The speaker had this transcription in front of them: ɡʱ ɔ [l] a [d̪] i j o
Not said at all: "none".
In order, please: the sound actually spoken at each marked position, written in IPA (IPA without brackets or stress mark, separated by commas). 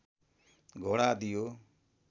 ɽ, d̪